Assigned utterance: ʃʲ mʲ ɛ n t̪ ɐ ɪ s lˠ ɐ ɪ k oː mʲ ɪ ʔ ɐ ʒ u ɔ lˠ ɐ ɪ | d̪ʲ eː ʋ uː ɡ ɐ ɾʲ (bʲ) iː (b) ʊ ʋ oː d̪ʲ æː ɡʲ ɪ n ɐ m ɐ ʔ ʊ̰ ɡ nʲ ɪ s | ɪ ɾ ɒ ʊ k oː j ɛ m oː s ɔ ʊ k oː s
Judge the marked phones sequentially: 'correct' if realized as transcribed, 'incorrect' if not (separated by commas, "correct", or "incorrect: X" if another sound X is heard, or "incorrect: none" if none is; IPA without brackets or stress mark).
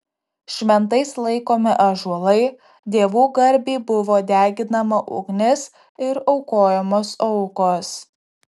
correct, correct